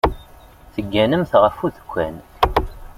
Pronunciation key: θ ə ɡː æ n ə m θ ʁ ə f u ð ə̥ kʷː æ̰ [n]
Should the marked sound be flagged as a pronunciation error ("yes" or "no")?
no